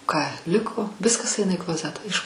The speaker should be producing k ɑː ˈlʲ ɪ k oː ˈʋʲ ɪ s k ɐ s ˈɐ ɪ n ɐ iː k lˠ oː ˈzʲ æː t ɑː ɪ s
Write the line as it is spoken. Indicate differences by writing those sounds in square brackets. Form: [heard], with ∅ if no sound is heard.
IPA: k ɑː ˈlʲ ɪ k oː ˈʋʲ ɪ s k ɐ s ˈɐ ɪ n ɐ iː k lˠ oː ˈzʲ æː t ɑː ɪ [ʃ]